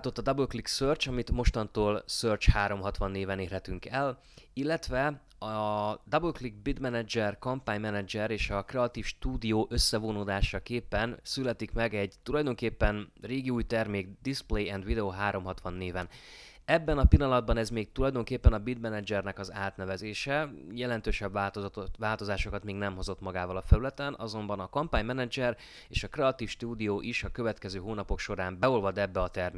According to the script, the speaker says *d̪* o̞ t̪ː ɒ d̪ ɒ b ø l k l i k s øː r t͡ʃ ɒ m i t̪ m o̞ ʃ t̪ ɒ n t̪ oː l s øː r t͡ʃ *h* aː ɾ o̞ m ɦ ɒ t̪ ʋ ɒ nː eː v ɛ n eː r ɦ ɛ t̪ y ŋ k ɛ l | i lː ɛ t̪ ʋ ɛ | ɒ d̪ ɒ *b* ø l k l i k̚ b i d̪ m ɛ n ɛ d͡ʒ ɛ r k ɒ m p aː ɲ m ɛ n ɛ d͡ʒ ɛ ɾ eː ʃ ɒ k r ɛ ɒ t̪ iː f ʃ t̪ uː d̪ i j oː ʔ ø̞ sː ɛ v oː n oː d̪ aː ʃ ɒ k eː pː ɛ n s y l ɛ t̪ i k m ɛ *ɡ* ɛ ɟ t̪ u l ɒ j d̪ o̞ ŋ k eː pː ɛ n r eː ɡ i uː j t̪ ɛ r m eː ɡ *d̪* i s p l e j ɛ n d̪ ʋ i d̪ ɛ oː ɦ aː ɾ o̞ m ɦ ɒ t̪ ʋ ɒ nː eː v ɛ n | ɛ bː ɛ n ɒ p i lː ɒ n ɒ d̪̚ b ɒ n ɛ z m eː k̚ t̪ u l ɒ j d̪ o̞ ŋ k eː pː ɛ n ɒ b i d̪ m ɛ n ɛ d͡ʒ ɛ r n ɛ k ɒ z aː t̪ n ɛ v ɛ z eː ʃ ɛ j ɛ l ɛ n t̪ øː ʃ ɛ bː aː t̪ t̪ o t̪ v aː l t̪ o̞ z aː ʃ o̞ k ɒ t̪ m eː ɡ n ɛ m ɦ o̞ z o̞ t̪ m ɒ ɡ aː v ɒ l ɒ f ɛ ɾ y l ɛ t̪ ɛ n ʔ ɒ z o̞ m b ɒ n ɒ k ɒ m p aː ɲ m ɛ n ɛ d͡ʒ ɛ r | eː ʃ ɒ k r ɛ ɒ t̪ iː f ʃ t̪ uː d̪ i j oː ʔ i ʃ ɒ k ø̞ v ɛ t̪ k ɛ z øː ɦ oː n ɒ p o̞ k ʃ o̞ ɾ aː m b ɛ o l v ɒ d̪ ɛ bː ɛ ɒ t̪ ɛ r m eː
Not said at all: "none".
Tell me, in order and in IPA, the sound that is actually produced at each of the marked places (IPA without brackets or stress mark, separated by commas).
t̪, h, b, ɡ, d̪